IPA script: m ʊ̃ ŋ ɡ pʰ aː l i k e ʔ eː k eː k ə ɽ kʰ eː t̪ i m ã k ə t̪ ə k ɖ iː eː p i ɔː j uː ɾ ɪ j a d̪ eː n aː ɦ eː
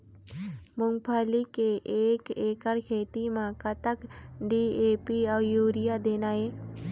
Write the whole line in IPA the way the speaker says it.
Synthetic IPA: m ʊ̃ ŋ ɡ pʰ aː l i k e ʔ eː k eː k ə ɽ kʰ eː t̪ i m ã k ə t̪ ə k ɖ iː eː p i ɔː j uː ɾ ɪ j a d̪ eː n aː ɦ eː